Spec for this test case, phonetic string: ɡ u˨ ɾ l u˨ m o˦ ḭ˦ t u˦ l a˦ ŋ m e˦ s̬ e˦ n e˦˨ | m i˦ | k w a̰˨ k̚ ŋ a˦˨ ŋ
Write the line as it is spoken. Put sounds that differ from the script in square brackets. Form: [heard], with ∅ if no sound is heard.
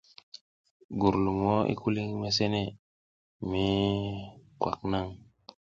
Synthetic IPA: ɡ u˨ ɾ l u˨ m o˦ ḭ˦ [k] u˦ l [i˦] ŋ m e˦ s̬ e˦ n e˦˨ | m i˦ | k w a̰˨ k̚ [n] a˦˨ ŋ